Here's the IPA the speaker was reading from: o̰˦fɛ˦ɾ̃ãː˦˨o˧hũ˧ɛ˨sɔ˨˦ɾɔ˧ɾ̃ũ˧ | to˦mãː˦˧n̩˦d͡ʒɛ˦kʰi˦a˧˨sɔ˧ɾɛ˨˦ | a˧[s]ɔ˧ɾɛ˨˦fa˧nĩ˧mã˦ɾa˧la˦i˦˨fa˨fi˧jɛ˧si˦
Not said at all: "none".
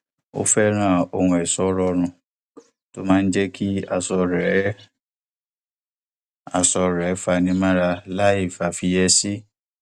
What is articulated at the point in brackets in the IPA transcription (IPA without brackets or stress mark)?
s